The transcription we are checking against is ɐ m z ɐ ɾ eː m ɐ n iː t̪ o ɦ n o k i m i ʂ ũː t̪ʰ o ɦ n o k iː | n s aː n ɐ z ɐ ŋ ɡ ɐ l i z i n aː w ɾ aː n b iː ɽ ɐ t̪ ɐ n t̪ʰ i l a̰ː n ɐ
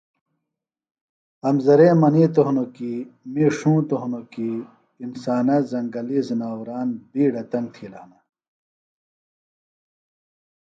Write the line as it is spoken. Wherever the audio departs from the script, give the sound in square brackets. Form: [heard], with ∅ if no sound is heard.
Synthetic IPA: ɐ m z ɐ ɾ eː m ɐ n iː t̪ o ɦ n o k i m i ʂ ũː [t̪] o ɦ n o k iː | n s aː n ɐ z ɐ ŋ ɡ ɐ l i z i n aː w ɾ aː n b iː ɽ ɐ t̪ ɐ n t̪ʰ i l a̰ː n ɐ